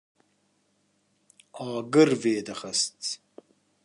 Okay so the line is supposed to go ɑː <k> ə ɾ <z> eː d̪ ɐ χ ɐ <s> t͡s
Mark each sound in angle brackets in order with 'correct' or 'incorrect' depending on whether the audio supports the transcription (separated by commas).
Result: incorrect, incorrect, correct